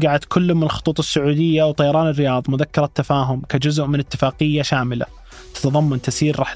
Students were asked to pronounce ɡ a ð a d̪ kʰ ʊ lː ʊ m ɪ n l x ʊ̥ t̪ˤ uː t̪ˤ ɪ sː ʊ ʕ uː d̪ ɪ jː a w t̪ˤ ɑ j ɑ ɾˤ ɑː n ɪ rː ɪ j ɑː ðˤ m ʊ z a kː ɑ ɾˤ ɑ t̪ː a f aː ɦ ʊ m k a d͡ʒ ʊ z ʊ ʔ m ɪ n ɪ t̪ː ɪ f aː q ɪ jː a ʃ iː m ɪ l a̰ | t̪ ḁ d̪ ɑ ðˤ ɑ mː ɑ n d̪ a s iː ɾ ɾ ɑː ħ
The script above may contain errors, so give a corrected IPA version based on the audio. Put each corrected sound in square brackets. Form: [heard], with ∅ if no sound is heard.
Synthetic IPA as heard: ɡ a [ʕ] a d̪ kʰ ʊ lː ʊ m ɪ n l x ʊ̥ t̪ˤ uː t̪ˤ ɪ sː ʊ ʕ uː d̪ ɪ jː a w t̪ˤ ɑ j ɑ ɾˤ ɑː n ɪ rː ɪ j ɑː ðˤ m ʊ [ð] a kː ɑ ɾˤ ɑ t̪ː a f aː ɦ ʊ m k a d͡ʒ ʊ z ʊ ʔ m ɪ n ɪ t̪ː ɪ f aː q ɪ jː a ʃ [aː] m ɪ l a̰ | t̪ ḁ [t̪] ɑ ðˤ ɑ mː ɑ n [t̪] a s iː ɾ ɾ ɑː ħ